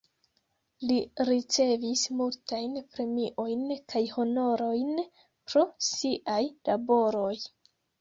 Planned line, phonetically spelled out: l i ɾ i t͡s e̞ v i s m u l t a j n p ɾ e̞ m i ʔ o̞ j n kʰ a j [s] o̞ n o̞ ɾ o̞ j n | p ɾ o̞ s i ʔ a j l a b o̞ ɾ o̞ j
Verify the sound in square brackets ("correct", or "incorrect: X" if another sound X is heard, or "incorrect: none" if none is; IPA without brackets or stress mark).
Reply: incorrect: h